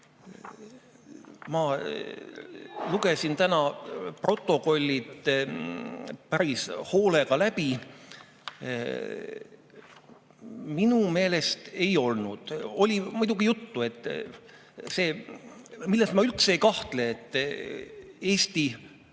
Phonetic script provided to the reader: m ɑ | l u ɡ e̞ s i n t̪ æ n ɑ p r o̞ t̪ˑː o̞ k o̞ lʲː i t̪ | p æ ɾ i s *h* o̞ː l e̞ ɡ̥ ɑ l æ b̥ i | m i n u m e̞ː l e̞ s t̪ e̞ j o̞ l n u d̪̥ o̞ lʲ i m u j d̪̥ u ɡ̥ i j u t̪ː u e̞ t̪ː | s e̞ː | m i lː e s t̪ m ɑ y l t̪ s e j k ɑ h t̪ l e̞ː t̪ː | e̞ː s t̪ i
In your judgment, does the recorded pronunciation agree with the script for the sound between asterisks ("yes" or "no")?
yes